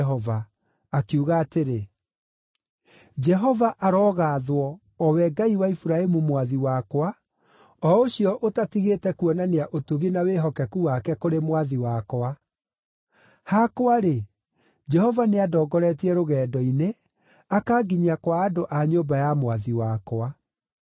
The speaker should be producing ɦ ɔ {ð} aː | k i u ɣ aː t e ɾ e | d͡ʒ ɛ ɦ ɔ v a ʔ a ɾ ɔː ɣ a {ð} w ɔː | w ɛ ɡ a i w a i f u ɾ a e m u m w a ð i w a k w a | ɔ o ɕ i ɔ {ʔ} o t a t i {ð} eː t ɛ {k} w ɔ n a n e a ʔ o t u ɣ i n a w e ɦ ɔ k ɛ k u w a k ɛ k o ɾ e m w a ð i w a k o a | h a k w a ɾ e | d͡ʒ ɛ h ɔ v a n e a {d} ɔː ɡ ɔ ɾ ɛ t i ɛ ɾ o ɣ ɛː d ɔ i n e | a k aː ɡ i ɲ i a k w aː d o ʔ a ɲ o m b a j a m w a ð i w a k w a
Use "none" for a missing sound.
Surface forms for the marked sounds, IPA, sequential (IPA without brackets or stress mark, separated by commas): v, ð, ʔ, ɣ, k, d